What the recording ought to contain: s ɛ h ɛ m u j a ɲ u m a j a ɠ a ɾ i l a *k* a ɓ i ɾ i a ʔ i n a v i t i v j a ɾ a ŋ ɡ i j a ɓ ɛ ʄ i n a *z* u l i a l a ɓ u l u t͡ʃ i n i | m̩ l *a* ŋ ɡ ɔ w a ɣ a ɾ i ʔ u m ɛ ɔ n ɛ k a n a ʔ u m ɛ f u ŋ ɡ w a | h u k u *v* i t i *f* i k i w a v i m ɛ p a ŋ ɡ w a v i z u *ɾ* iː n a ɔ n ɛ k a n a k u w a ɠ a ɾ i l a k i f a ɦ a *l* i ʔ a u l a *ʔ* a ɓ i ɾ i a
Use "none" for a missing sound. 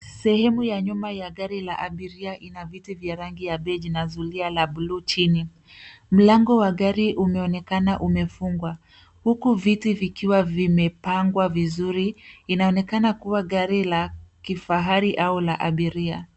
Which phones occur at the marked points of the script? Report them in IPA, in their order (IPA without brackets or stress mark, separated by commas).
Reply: ʔ, z, a, v, v, ɾ, ɾ, ʔ